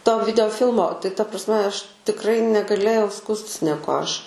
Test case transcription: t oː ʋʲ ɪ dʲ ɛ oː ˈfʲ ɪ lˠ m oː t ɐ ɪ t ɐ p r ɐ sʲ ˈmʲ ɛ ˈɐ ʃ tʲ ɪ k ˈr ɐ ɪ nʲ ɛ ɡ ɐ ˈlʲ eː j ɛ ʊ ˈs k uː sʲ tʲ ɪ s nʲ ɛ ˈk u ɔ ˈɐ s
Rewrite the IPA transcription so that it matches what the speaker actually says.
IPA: t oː ʋʲ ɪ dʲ ɛ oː ˈfʲ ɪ lˠ m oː t ɐ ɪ t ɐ p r ɐ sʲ ˈmʲ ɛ ˈɐ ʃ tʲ ɪ k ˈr ɐ ɪ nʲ ɛ ɡ ɐ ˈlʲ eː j ɛ ʊ ˈs k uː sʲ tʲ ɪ s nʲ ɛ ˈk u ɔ ˈɐ ʃ